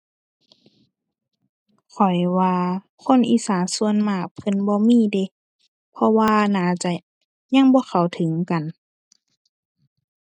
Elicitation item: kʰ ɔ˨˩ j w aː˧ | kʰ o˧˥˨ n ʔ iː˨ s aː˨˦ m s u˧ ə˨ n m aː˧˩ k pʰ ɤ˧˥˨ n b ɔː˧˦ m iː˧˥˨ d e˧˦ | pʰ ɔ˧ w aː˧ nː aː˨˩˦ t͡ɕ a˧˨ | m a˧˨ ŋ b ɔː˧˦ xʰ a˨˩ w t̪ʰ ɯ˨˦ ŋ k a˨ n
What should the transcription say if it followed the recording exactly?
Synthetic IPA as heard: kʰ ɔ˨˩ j w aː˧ | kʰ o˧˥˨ n ʔ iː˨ s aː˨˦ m s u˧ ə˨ n m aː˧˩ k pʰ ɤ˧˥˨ n b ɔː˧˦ m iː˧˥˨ d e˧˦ | pʰ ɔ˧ w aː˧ n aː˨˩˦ t͡ɕ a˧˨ | ɲ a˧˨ ŋ b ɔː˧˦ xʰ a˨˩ w t̪ʰ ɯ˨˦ ŋ k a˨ n

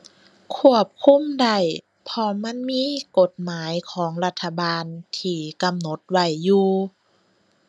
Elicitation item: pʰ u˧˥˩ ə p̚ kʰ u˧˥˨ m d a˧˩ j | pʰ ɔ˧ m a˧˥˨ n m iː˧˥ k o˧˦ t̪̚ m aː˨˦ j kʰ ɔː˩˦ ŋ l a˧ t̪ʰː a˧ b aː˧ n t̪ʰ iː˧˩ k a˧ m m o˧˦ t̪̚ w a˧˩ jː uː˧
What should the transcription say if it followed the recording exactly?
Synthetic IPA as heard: kʰ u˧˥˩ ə p̚ kʰ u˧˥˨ m d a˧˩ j | pʰ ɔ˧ m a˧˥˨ n m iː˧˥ k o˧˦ t̪̚ m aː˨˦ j kʰ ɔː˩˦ ŋ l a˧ t̪ʰː a˧ b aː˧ n t̪ʰ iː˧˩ k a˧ m n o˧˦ t̪̚ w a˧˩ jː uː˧

